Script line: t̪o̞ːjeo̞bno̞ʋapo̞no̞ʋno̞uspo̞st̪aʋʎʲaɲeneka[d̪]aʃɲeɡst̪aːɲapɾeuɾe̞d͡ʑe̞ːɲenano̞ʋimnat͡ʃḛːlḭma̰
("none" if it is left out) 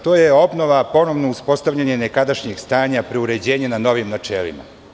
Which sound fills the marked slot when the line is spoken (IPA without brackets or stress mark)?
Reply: d̪